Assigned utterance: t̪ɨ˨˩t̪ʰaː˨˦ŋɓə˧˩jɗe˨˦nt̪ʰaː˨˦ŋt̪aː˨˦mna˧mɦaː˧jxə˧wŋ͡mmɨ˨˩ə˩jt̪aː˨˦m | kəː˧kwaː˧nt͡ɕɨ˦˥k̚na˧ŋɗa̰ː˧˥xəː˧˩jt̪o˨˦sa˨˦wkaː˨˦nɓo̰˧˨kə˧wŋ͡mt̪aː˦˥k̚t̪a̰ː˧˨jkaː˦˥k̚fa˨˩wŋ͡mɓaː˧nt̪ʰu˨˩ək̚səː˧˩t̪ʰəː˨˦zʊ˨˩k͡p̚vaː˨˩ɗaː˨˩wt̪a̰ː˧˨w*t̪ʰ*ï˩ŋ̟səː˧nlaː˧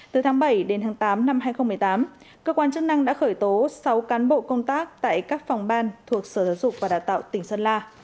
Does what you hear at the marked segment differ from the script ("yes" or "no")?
yes